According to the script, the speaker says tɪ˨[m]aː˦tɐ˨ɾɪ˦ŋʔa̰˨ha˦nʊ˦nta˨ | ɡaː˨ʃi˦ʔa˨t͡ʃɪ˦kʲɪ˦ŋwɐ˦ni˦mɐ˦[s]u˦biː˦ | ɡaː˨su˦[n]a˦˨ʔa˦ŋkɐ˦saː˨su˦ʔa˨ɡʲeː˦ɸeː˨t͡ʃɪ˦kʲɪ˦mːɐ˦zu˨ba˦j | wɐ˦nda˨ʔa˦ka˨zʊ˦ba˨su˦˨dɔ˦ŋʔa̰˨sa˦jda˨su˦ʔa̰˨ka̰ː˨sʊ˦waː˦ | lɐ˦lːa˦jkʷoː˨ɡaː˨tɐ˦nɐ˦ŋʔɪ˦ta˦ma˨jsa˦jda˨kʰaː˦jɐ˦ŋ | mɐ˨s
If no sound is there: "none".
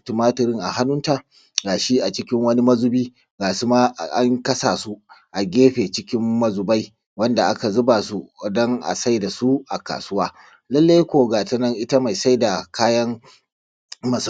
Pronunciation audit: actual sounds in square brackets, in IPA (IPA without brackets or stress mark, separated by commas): m, z, m